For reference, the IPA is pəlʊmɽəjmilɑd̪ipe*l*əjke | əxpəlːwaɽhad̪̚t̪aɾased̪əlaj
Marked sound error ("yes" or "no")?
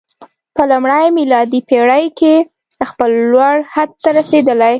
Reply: yes